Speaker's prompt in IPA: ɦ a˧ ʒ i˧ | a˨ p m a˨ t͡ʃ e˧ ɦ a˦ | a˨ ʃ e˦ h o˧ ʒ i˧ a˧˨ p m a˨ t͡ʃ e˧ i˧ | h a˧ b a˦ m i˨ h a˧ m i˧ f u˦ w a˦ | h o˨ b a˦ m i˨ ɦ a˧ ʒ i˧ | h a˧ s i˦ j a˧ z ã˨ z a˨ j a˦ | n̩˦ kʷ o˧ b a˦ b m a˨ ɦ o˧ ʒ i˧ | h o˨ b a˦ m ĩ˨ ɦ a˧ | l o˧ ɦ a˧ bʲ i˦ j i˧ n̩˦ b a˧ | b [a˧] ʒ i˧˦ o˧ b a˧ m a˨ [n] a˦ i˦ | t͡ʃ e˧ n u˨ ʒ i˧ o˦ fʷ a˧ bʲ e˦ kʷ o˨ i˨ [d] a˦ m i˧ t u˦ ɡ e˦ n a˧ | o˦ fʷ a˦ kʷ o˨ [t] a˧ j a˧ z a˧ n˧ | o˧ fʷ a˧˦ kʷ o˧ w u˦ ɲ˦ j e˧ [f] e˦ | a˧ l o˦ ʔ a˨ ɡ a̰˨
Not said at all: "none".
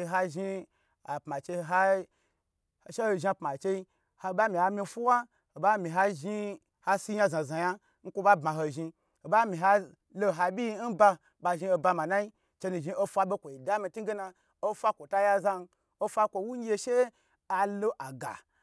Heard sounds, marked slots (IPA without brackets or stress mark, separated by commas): a˧, n, d, t, ʃ